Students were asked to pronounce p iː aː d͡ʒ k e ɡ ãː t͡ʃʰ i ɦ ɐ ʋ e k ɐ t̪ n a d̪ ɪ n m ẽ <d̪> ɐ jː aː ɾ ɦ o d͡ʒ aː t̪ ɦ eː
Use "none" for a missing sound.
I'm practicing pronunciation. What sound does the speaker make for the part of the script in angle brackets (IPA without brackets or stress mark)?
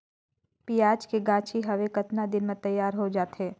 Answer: t̪